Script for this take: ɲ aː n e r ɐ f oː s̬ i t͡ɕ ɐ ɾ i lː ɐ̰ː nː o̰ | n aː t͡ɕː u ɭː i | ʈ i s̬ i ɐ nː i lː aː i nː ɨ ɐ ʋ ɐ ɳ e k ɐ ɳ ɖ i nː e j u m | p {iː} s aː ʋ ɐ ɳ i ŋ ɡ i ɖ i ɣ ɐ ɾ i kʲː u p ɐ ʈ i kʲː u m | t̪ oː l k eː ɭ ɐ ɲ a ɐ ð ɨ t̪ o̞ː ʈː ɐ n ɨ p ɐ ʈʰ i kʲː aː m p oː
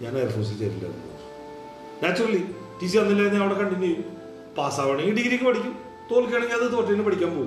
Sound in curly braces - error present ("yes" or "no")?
yes